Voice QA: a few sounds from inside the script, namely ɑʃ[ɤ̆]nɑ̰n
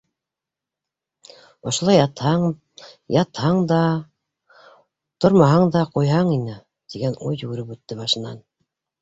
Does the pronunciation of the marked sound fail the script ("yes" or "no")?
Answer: no